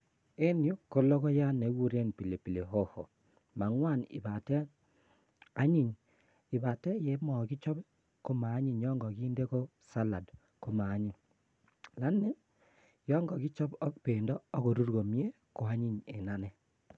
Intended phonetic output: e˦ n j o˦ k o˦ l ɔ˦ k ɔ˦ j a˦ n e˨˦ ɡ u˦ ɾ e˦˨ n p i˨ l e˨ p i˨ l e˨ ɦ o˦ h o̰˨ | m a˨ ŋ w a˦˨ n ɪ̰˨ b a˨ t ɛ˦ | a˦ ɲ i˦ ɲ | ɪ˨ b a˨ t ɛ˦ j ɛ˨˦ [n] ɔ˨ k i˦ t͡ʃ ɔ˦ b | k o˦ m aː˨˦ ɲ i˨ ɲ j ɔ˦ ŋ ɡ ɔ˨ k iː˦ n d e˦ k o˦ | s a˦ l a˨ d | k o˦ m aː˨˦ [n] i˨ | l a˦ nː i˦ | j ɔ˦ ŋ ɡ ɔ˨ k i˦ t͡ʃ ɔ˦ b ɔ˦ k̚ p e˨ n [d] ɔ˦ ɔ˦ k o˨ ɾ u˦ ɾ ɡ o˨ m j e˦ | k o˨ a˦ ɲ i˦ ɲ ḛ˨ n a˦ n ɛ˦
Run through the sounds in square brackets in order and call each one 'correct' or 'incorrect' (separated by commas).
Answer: incorrect, incorrect, correct